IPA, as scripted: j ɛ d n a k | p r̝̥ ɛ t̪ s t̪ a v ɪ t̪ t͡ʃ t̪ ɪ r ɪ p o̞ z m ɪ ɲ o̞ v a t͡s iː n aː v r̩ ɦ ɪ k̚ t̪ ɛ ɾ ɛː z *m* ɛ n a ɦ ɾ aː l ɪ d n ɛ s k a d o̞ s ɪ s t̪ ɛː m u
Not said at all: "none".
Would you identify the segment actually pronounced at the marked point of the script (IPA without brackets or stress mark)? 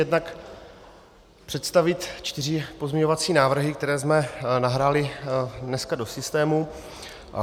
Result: m